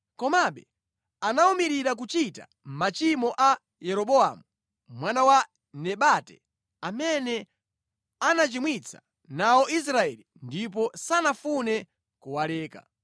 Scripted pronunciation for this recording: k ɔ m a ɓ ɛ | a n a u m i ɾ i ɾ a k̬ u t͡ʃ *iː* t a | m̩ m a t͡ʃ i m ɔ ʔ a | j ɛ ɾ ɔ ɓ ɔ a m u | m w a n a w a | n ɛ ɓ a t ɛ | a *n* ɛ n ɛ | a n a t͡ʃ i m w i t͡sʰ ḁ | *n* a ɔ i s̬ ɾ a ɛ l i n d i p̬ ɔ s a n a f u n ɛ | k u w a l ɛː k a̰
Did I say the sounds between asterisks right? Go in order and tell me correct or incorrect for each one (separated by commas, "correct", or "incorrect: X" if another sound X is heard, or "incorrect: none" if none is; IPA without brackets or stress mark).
incorrect: i, incorrect: m, correct